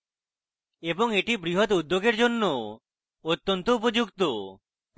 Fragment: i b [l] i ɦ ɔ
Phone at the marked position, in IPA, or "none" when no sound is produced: ɾ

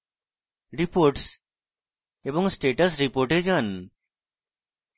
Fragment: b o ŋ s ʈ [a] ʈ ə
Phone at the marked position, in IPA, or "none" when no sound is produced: e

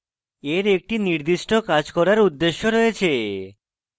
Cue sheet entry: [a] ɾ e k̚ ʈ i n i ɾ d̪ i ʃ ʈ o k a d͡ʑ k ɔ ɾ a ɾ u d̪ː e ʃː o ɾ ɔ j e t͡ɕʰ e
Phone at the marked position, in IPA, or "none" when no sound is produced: e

